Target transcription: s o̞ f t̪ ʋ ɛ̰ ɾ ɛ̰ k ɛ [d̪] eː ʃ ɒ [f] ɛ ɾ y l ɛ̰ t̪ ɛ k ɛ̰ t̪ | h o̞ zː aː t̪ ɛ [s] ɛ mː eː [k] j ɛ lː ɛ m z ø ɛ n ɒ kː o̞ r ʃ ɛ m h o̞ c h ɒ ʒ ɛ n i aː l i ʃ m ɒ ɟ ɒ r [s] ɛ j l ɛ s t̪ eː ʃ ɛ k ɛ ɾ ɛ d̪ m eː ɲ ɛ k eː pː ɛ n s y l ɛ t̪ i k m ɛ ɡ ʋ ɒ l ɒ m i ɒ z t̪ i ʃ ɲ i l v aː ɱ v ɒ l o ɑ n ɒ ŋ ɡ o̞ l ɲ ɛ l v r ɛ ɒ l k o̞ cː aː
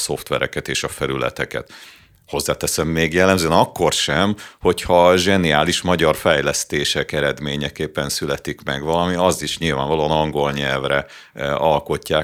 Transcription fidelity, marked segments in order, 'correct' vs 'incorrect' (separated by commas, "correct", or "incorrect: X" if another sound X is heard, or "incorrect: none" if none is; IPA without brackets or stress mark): incorrect: t̪, correct, correct, incorrect: ɡ, incorrect: f